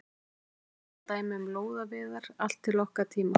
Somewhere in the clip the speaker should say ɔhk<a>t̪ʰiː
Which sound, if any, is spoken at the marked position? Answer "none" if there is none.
a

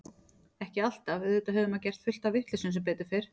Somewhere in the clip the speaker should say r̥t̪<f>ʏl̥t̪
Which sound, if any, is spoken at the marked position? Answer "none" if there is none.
f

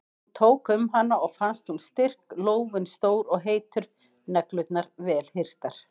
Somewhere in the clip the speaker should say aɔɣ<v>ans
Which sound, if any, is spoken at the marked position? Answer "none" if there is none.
f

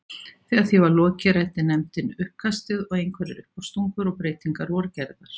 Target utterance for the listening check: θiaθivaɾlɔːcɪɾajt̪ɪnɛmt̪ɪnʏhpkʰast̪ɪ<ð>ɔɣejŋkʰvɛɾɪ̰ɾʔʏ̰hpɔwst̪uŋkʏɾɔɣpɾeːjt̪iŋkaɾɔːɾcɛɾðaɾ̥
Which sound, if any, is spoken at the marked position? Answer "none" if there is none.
ð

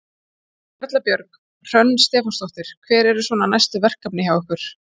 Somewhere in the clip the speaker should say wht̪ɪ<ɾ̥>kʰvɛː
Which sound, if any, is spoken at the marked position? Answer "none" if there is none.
ɾ̥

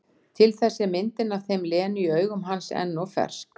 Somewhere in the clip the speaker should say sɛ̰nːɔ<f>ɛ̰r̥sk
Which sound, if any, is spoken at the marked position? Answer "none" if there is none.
f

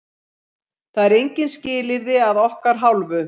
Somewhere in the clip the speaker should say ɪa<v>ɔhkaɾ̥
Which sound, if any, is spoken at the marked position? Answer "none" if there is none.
ð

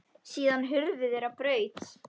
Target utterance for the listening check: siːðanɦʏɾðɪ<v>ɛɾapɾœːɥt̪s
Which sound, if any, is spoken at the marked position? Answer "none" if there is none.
ð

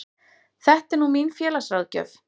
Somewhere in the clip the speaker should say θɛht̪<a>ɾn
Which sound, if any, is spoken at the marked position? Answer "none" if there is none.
ɛ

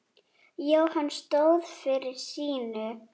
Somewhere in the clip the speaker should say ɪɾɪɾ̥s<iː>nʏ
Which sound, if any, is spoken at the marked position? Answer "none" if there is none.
iː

